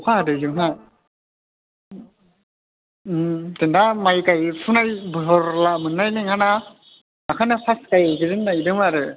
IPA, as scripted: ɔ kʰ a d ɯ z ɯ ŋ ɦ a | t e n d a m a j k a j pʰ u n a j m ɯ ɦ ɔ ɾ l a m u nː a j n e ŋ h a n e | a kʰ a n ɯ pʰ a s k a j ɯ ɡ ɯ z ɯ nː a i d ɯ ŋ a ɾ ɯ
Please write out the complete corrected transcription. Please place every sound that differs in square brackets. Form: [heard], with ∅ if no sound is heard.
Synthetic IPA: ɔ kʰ a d ɯ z ɯ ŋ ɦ a | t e n d a m a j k a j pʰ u n a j [b] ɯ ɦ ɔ ɾ l a m [ɯ] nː a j n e ŋ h a n [a] | a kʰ a n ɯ pʰ a s k a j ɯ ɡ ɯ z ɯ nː a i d ɯ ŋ a ɾ ɯ